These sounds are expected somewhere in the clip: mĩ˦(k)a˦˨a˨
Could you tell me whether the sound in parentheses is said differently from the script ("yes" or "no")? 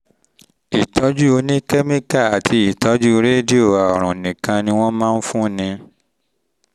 no